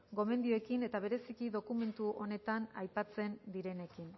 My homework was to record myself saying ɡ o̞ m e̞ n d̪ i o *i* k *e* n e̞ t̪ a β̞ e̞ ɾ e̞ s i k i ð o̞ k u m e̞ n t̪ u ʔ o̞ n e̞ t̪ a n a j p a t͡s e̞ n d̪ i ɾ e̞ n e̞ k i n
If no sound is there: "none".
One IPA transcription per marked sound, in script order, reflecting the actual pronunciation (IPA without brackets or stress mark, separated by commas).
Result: e, i